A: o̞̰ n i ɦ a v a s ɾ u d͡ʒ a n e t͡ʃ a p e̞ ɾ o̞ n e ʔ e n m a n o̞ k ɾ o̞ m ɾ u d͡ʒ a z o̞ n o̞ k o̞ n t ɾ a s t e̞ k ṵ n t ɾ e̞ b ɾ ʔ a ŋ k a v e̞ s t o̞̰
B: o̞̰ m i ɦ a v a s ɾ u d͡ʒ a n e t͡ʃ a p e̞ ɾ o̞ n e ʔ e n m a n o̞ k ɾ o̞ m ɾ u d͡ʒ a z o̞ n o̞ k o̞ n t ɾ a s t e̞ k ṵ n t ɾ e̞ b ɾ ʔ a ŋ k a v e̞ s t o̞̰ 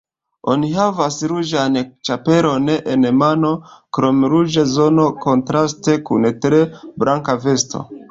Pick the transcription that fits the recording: A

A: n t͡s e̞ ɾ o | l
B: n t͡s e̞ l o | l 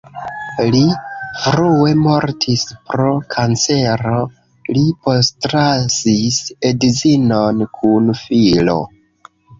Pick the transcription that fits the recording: A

